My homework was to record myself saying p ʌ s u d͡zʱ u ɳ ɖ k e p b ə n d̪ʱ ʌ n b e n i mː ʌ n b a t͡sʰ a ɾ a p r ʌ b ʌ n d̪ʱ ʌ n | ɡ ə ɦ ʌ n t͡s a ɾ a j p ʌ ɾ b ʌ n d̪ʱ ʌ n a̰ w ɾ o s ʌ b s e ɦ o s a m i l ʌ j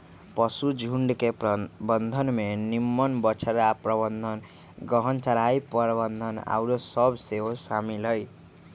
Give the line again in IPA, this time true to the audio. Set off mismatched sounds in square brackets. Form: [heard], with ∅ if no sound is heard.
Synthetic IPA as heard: p ʌ s u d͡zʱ u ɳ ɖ k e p b [ʌ] n d̪ʱ ʌ n [m] e n i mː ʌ n b [ʌ] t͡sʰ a ɾ a p r ʌ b ʌ n d̪ʱ ʌ n | ɡ [ʌ] ɦ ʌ n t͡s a ɾ a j p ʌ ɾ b ʌ n d̪ʱ ʌ n a̰ w ɾ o s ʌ b s e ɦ o s a m i l ʌ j